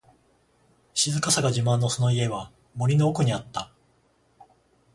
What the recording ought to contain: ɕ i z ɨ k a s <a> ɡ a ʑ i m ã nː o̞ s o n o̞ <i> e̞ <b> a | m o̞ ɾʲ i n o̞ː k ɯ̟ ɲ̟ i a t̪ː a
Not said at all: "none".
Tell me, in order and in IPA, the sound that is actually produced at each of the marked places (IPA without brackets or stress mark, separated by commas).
a, i, β